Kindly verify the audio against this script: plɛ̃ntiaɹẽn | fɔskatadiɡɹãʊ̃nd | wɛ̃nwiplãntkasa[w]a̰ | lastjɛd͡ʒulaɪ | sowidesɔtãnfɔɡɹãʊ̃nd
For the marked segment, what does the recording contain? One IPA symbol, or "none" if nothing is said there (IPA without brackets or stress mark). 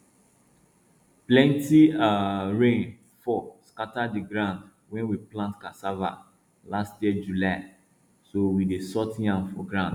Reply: v